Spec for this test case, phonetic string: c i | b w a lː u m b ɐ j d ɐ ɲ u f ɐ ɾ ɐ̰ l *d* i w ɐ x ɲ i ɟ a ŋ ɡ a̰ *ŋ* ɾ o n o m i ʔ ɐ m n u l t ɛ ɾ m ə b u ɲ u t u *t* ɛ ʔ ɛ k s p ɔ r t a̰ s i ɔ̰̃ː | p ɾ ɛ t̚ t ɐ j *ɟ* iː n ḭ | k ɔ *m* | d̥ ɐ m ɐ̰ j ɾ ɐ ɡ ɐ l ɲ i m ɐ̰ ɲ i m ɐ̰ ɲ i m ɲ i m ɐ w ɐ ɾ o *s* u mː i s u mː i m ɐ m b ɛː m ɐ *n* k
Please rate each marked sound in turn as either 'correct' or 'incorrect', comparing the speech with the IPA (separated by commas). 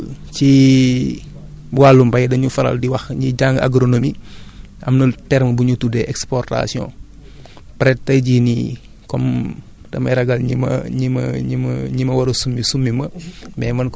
correct, incorrect, incorrect, correct, correct, correct, correct